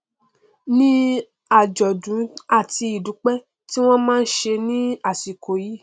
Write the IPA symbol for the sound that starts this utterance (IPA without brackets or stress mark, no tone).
n